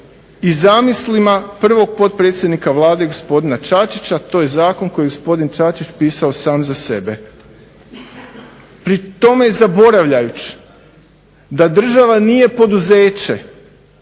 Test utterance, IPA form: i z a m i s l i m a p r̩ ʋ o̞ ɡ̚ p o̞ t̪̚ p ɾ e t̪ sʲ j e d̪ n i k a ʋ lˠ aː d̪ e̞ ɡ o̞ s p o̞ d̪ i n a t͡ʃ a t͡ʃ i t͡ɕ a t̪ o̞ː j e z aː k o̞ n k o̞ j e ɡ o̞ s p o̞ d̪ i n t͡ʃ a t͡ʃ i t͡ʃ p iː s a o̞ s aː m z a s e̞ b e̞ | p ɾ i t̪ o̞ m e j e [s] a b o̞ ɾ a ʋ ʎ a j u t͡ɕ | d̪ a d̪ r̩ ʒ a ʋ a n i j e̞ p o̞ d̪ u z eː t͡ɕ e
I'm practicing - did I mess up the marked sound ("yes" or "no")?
yes